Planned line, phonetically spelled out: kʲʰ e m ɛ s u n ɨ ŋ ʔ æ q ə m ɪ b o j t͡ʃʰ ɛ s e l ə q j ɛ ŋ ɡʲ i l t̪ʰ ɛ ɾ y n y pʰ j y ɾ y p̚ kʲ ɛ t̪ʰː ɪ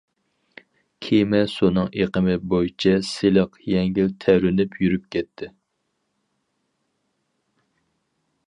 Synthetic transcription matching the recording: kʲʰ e m ɛ s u n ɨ ŋ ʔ e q ə m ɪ b o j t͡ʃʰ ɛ s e l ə q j ɛ ŋ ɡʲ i l t̪ʰ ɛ ɾ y n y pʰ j y ɾ y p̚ kʲ ɛ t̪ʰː ɪ